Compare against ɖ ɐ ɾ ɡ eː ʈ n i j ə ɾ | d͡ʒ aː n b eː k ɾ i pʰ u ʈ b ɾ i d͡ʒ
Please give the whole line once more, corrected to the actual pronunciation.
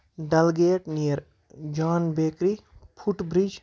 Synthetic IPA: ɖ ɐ l ɡ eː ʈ n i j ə ɾ | d͡ʒ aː n b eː k ɾ i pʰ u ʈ b ɾ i d͡ʒ